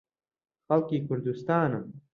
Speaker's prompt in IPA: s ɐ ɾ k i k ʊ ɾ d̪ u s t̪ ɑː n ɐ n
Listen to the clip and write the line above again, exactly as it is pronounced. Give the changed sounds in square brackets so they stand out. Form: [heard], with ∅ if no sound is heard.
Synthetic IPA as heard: [x] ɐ [l] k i k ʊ ɾ d̪ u s t̪ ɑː n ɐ [m]